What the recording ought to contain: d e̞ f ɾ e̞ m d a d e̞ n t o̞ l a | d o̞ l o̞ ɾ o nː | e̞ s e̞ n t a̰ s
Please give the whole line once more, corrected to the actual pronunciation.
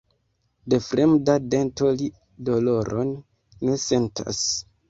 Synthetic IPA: d e̞ f ɾ e̞ m d a d e̞ n t o̞ l i | d o̞ l o̞ ɾ o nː | e̞ s e̞ n t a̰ s